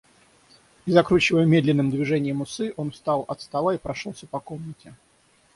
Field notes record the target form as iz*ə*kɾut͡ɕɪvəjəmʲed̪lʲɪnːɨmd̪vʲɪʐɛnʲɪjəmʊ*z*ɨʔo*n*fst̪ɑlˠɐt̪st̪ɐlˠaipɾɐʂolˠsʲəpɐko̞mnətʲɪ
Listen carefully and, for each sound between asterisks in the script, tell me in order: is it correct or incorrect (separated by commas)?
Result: incorrect, incorrect, correct